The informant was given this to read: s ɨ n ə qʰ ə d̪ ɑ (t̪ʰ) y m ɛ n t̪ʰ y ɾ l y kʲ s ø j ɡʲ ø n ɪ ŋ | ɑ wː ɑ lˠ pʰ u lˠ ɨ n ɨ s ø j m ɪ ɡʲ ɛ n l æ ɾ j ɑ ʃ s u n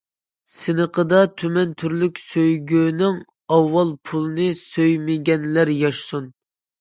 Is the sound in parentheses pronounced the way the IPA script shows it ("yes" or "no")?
yes